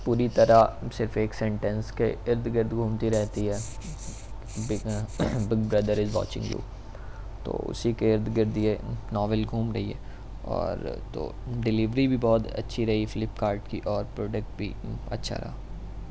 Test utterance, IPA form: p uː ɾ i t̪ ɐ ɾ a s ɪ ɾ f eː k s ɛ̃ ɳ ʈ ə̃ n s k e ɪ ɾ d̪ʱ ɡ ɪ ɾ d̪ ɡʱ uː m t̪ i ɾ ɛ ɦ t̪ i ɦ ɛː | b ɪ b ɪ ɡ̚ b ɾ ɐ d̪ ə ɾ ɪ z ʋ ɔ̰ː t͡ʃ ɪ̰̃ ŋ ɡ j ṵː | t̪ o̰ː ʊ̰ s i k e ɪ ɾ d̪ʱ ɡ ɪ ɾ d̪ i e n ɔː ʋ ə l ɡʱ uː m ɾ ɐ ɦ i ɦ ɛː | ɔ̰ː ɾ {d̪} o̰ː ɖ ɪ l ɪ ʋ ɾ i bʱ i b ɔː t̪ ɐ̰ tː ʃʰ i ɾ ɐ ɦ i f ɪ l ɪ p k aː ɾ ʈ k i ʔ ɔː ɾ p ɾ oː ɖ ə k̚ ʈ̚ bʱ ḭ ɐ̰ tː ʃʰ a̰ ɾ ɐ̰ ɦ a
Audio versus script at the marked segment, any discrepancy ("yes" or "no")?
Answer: yes